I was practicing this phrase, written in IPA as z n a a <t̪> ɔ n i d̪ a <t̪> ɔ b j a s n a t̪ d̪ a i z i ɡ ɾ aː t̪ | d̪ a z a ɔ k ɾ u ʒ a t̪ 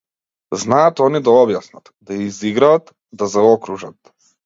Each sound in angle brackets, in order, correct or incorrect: correct, incorrect

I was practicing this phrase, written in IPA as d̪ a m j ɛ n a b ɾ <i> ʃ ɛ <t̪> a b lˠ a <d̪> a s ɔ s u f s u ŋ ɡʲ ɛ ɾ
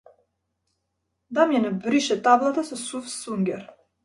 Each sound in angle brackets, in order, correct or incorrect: correct, correct, incorrect

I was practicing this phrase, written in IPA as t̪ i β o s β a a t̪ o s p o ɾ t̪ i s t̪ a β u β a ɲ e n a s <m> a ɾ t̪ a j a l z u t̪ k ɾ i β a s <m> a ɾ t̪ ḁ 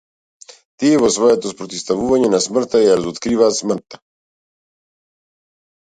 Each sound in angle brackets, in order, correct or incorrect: correct, correct

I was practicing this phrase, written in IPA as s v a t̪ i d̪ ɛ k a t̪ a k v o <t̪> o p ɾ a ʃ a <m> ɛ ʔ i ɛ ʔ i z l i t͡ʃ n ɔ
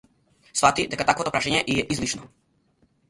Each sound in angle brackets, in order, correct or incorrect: correct, incorrect

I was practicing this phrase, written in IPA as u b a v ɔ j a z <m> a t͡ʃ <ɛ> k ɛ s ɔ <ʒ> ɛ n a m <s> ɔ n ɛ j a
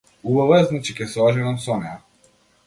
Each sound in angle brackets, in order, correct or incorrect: incorrect, incorrect, correct, correct

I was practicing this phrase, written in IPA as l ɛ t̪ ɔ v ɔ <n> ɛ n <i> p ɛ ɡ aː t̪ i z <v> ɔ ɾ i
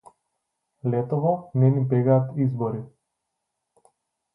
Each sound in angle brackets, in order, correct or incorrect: correct, correct, incorrect

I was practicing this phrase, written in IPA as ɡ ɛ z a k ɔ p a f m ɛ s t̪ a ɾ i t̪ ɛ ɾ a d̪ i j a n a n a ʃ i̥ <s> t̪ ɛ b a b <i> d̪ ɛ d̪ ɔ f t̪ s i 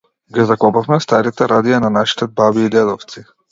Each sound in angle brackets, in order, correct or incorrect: incorrect, incorrect

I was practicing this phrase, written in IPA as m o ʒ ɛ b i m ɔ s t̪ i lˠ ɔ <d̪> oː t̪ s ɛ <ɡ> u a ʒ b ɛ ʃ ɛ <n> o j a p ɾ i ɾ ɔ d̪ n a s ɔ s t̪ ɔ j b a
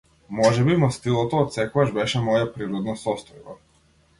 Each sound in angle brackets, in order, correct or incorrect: incorrect, incorrect, incorrect

